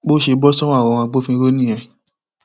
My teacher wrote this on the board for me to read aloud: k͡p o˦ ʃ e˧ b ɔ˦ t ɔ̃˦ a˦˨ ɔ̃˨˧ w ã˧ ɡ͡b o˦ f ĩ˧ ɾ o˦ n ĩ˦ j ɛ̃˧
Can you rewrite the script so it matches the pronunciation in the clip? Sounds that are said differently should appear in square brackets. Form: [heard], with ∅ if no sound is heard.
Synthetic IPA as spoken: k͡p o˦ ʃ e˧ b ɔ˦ [s] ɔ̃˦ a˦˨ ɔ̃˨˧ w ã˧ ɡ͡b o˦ f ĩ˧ ɾ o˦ n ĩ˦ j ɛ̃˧